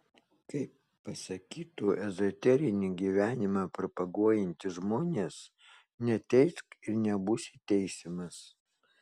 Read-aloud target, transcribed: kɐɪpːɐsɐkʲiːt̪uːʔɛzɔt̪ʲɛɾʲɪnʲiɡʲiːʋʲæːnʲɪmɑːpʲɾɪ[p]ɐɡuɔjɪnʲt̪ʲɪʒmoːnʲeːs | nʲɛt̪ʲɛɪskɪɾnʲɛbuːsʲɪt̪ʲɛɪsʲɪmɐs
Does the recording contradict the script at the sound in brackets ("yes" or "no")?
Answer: no